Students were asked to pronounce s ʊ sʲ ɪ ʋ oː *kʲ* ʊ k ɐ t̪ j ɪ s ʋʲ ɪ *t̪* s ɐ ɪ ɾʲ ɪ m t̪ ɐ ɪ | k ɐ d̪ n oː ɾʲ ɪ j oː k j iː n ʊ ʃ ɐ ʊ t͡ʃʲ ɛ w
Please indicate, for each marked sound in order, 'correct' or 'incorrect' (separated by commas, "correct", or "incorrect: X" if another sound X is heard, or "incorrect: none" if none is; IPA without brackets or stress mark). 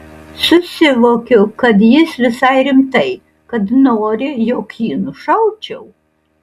correct, incorrect: none